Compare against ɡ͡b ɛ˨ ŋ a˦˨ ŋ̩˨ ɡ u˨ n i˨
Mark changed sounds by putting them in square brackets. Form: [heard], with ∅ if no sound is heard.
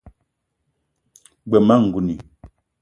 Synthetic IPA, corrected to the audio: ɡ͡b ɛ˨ [m] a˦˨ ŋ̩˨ ɡ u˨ n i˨